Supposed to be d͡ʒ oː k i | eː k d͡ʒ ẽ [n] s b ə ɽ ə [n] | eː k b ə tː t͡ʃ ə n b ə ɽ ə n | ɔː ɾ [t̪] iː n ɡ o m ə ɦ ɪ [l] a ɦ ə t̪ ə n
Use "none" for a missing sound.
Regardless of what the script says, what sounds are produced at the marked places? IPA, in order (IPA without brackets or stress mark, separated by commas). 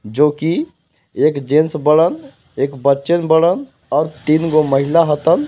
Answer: n, n, t̪, l